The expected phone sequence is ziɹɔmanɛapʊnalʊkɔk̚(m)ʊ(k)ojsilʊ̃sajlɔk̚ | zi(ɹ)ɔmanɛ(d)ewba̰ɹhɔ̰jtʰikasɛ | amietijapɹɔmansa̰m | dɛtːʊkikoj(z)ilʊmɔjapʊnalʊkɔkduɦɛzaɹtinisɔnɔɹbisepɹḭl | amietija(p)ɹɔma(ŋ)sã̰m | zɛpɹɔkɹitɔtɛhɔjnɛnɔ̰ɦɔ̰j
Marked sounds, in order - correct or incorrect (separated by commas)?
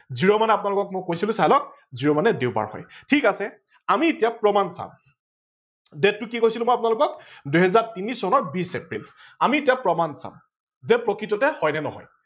correct, correct, correct, correct, incorrect, correct, incorrect